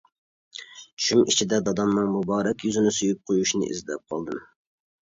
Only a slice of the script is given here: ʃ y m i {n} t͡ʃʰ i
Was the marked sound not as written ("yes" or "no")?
yes